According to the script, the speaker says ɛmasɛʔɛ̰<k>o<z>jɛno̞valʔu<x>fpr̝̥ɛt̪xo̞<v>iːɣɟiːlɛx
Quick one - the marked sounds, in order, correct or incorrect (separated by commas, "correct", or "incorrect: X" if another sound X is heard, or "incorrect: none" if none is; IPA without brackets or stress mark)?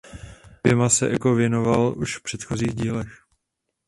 correct, incorrect: v, incorrect: ʃ, incorrect: z